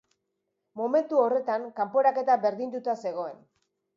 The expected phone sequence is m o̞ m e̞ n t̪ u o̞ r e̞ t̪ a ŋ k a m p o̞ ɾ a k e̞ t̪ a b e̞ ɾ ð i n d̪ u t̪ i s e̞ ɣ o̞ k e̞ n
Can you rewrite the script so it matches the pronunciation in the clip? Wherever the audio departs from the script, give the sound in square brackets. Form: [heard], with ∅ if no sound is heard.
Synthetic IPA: m o̞ m e̞ n t̪ u o̞ r e̞ t̪ a ŋ k a m p o̞ ɾ a k e̞ t̪ a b e̞ ɾ ð i n d̪ u t̪ [a] s e̞ ɣ o̞ [∅] e̞ n